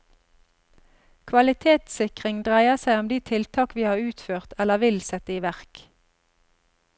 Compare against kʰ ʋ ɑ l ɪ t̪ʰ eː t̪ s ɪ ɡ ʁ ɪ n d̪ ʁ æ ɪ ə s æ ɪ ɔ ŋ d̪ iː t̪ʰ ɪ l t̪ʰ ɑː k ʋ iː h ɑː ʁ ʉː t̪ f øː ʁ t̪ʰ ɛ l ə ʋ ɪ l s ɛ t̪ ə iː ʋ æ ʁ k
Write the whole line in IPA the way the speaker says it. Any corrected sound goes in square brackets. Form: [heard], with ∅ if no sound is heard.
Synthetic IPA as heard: kʰ ʋ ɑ l ɪ t̪ʰ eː t̪ s ɪ [k] ʁ ɪ [ŋ] d̪ ʁ æ ɪ ə s æ ɪ ɔ [m] d̪ iː t̪ʰ ɪ l t̪ʰ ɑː k ʋ iː h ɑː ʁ ʉː t̪ f øː ʁ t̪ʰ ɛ l ə ʋ ɪ l s ɛ t̪ ə iː ʋ æ ʁ k